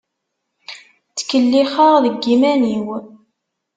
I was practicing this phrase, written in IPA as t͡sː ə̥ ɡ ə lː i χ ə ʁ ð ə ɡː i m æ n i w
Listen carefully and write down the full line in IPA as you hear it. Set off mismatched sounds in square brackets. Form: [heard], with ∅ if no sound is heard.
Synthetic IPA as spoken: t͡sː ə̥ [k] ə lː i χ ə ʁ ð ə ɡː i m æ n i w